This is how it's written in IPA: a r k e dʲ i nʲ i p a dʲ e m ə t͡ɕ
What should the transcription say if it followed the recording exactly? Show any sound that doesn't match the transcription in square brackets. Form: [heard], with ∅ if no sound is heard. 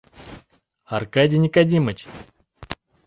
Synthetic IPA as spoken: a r k [a] dʲ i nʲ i [k] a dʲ [i] m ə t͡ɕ

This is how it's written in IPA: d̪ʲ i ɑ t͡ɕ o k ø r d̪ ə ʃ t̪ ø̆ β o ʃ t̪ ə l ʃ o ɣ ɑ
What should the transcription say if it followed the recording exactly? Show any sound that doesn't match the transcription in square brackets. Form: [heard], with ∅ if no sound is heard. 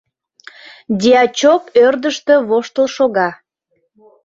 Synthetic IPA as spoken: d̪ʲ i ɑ t͡ɕ o k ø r d̪ ə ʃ t̪ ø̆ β o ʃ t̪ ə l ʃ o ɣ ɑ

